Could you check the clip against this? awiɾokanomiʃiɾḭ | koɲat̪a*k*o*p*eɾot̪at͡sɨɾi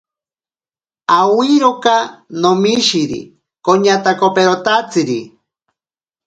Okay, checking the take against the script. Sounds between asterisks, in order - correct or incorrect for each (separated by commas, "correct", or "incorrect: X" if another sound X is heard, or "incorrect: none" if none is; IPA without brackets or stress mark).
correct, correct